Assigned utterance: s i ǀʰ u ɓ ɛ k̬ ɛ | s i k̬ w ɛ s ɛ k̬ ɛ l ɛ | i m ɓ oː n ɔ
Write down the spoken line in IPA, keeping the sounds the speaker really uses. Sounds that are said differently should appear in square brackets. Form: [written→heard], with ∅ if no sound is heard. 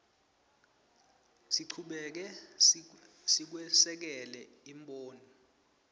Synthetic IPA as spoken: s i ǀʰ u ɓ ɛ k̬ ɛ | s i k̬ w ɛ s ɛ k̬ ɛ l ɛ | i m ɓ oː n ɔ